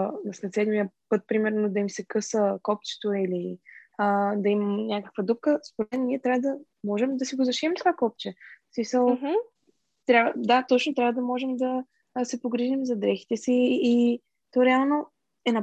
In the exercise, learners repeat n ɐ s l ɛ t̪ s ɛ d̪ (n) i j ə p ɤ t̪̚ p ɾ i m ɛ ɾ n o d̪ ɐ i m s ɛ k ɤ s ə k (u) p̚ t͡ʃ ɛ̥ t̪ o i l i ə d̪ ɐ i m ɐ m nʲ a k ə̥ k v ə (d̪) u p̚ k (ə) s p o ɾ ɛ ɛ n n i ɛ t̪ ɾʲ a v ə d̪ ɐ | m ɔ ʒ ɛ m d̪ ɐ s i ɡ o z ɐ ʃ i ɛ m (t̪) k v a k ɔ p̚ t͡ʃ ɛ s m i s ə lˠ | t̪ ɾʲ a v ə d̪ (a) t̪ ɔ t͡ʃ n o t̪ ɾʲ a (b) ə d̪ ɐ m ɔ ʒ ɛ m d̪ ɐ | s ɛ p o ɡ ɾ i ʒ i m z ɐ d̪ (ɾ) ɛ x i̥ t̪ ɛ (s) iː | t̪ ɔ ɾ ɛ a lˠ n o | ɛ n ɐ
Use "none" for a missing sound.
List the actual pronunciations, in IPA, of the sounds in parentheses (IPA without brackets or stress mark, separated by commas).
m, ɔ, d̪, ə, t̪, a, v, ɾ, s